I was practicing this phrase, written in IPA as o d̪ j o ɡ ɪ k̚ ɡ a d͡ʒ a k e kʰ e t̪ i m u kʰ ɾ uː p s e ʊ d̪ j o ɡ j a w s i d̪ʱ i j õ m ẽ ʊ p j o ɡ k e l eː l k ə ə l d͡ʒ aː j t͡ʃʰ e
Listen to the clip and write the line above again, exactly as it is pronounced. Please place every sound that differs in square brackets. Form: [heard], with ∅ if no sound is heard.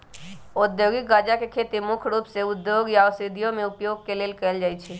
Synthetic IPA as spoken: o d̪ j o ɡ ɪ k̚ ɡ a d͡ʒ a k e kʰ e t̪ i m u kʰ ɾ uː p s e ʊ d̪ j o ɡ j a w s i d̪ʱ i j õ m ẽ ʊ p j o ɡ k e l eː l k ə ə l d͡ʒ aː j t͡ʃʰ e